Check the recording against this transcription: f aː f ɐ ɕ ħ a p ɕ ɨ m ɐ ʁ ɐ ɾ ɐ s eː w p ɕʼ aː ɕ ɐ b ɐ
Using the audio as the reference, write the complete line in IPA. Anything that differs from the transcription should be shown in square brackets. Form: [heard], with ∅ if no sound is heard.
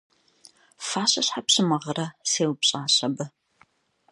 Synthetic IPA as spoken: f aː [ɕ] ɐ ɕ ħ a p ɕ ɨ m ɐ ʁ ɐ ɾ ɐ s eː w p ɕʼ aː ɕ ɐ b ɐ